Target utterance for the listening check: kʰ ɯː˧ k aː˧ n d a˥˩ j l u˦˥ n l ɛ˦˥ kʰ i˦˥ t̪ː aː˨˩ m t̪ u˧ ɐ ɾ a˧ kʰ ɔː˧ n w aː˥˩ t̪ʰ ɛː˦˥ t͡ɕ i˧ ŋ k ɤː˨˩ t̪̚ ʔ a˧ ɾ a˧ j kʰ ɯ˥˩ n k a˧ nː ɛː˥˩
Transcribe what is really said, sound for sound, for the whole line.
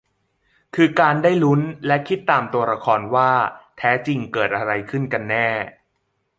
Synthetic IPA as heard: kʰ ɯː˧ k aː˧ n d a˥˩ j l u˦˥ n l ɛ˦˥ kʰ i˦˥ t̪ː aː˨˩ m t̪ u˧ ɐ ɾ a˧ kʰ ɔː˧ n w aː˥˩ t̪ʰ ɛː˦˥ t͡ɕ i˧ ŋ k ɤː˨˩ t̪̚ ʔ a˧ ɾ a˧ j kʰ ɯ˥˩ n k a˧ nː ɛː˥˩